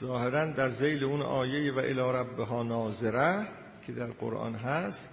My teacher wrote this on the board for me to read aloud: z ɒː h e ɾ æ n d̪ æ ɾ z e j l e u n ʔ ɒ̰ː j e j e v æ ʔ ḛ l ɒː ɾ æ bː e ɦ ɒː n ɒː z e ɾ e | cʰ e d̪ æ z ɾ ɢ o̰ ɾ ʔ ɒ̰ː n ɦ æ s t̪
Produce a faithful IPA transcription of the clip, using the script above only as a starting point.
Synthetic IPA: z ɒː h e ɾ æ n d̪ æ ɾ z e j l e u n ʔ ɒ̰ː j e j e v æ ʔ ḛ l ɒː ɾ æ bː e ɦ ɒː n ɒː z e ɾ æ | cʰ e d̪ æ ɾ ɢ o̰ ɾ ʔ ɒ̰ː n ɦ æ s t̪